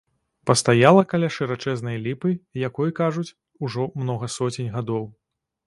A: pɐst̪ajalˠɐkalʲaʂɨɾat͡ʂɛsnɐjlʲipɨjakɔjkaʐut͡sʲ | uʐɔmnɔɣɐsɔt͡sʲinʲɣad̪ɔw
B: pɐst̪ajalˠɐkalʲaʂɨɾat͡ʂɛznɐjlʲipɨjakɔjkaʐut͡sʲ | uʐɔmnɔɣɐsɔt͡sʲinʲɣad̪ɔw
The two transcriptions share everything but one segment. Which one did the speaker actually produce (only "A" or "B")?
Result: B